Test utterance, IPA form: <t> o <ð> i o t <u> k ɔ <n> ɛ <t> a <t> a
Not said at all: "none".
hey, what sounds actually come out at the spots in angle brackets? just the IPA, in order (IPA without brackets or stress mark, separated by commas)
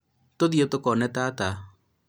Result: t, ð, o, n, t, t